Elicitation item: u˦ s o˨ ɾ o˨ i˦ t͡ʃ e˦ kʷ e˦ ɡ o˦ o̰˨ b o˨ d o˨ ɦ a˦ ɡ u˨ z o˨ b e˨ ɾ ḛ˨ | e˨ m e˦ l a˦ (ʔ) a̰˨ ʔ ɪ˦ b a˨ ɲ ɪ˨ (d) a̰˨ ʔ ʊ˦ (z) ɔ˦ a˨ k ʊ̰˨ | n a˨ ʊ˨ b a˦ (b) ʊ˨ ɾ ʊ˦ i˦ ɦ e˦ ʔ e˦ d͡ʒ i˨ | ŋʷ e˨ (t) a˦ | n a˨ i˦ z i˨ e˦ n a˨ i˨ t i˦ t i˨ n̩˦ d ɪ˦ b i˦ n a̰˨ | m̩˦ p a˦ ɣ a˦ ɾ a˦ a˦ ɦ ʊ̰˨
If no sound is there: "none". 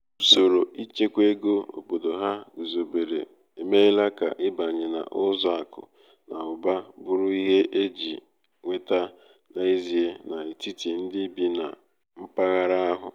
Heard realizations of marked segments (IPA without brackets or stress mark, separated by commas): k, n, z, b, t